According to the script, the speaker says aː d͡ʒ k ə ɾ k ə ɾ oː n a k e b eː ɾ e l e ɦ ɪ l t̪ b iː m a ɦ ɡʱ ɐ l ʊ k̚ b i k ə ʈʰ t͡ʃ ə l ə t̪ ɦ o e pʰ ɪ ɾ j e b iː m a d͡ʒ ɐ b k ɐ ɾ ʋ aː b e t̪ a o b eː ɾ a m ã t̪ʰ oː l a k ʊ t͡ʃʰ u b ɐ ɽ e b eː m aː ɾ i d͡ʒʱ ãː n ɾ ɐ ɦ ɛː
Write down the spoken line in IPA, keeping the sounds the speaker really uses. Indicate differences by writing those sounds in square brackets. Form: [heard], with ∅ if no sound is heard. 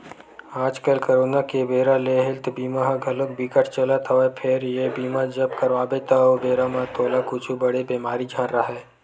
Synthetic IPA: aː d͡ʒ k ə [l] k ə ɾ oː n a k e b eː ɾ [a] l e ɦ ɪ l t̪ b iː m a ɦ ɡʱ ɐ l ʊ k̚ b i k ə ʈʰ t͡ʃ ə l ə t̪ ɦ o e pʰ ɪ ɾ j e b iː m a d͡ʒ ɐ b k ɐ ɾ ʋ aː b e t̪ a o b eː ɾ a m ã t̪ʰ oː l a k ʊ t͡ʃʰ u b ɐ ɽ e b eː m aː ɾ i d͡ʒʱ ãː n ɾ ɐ ɦ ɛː